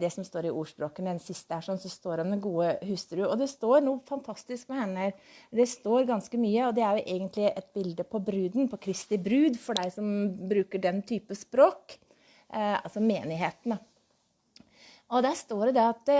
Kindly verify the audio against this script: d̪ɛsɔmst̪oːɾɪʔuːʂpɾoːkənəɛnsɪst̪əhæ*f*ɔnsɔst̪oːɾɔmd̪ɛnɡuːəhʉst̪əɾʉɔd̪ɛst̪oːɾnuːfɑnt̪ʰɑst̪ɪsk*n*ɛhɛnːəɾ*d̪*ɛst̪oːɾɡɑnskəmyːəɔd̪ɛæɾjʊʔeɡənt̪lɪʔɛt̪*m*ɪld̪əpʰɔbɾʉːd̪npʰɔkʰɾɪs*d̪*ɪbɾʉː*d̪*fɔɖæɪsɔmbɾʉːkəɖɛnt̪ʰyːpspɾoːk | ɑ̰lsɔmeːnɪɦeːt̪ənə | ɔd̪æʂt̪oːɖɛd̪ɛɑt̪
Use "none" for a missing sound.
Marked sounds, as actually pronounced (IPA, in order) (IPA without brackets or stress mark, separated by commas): ʂ, m, d̪, b, t̪, d̪